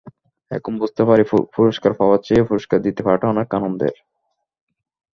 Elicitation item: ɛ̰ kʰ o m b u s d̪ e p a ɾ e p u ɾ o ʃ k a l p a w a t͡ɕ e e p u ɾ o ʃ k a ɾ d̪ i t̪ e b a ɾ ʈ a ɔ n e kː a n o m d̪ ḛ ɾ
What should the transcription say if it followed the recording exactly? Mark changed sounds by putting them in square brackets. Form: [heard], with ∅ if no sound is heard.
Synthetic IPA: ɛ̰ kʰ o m b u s [t̪] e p a ɾ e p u ɾ o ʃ k a [ɾ] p a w a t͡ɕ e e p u ɾ o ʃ k a ɾ d̪ i t̪ e [p] a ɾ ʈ a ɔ n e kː a n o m d̪ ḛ ɾ

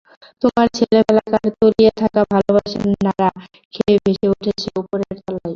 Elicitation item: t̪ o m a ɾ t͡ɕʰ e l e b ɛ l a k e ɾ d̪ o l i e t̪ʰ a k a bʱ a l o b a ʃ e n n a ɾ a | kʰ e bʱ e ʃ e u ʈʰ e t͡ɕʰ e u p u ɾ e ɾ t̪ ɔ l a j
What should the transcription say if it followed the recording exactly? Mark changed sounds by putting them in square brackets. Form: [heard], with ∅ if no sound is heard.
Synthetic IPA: t̪ o m a ɾ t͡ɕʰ e l e b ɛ l a k [a] ɾ [t̪] o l i e t̪ʰ a k a bʱ a l o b a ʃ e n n a ɾ a | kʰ e bʱ e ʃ e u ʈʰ e t͡ɕʰ e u p [o] ɾ e ɾ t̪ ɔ l a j

